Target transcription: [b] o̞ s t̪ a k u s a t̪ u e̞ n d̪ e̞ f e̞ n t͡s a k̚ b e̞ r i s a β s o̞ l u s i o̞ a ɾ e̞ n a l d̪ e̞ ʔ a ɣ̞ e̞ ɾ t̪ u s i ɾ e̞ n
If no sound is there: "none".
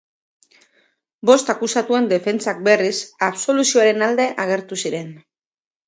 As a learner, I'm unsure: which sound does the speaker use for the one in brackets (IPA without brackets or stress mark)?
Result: b